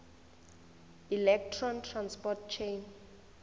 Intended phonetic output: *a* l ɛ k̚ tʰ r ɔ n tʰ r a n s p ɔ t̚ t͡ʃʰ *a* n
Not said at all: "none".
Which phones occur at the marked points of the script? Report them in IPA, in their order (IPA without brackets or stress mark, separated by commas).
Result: i, e